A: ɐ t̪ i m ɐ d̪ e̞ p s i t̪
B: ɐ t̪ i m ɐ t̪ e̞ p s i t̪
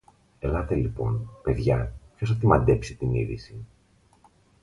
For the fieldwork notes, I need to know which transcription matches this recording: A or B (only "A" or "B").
A